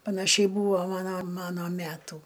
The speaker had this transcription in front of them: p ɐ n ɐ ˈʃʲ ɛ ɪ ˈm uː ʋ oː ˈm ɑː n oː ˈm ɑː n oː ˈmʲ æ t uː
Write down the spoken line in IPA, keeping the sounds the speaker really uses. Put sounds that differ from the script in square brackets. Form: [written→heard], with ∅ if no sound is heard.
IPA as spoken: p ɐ n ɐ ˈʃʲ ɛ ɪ [ˈm→ˈb] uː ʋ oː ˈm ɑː n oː ˈm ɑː n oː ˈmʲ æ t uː